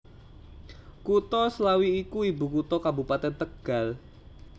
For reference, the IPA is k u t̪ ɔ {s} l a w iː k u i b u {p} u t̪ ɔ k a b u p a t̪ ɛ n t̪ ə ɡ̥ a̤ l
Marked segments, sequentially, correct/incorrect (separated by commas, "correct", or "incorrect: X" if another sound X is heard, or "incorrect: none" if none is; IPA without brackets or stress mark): correct, incorrect: k